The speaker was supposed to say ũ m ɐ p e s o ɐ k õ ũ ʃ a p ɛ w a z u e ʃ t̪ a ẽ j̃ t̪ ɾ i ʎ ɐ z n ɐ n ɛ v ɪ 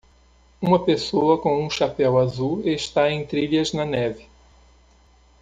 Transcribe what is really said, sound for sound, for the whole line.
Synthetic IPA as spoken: ũ m ɐ p e s o ɐ k õ ũ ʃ a p ɛ w a z u e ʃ t̪ a ẽ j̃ t̪ ɾ i ʎ ɐ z n ɐ n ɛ v ɪ

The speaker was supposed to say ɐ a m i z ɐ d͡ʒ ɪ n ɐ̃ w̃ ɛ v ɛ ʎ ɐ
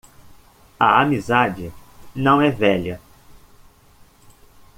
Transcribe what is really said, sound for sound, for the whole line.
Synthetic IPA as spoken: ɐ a m i z a d͡ʒ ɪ n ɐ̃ w̃ ɛ v ɛ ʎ ɐ

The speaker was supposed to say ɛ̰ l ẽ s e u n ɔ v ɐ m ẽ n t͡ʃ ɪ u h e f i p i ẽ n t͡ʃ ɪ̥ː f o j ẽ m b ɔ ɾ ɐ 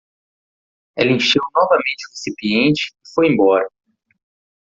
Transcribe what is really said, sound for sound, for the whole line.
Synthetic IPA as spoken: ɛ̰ l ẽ ʃ e w n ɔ v ɐ m ẽ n t͡ʃ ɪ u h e s i p i ẽ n t͡ʃ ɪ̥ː f o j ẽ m b ɔ ɾ ɐ

